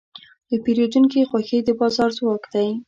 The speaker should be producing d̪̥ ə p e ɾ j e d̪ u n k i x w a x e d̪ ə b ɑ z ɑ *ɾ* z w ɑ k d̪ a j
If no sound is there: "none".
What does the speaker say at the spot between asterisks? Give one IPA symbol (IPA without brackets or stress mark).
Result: ɾ